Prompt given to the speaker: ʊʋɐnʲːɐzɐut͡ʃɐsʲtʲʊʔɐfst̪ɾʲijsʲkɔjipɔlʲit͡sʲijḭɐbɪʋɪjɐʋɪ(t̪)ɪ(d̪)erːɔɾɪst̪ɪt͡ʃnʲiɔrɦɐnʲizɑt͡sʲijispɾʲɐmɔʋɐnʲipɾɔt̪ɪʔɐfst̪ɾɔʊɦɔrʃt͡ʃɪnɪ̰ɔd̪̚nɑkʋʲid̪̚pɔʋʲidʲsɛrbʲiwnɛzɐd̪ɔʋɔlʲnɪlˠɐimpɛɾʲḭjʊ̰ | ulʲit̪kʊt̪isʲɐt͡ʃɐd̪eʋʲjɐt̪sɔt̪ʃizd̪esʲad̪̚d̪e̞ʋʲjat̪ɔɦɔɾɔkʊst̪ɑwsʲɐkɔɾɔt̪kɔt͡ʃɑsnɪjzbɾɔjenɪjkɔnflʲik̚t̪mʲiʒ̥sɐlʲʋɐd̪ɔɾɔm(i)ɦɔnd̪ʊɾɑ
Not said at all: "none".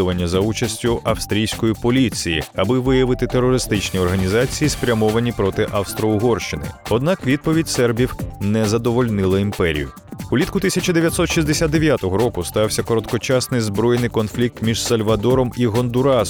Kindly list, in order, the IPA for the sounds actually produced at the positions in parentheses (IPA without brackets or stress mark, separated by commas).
t̪, t̪, i